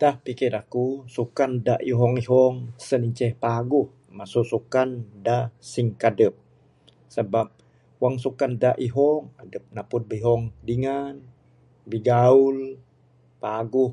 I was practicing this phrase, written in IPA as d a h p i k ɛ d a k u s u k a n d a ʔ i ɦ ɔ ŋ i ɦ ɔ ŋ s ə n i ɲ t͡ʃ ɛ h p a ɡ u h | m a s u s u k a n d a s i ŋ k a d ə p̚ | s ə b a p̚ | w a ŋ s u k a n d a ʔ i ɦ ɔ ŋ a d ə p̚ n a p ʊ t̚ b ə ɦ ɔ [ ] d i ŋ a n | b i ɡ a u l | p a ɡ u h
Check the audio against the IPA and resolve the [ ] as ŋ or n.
ŋ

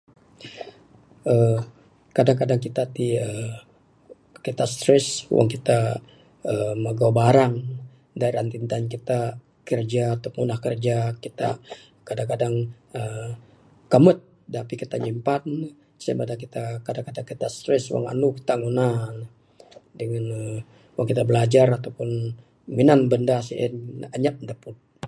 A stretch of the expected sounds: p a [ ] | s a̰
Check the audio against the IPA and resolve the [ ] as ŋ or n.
n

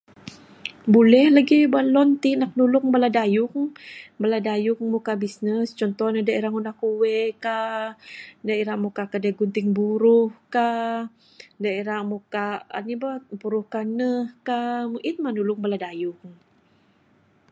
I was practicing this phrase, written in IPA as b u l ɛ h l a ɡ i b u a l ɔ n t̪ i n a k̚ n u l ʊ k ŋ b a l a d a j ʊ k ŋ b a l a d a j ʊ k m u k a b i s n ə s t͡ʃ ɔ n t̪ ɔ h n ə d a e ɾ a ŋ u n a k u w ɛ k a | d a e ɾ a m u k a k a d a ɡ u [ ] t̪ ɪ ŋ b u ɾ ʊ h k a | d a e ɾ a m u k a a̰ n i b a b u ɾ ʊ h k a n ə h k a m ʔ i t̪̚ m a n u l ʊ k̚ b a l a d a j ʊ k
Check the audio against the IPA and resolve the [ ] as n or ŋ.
n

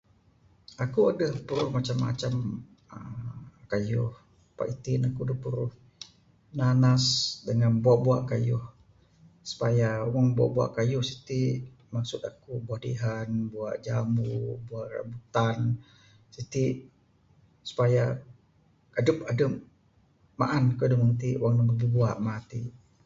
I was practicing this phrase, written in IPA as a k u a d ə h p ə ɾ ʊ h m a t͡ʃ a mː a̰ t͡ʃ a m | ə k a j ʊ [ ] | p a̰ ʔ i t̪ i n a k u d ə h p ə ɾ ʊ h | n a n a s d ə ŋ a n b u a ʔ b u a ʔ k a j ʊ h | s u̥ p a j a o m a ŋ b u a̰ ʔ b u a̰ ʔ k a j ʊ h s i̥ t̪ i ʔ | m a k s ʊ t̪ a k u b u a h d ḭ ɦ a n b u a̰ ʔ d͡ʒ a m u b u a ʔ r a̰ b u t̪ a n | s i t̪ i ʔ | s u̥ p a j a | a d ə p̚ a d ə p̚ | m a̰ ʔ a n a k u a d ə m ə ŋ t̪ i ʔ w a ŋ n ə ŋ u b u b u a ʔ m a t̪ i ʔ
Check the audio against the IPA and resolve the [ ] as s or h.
h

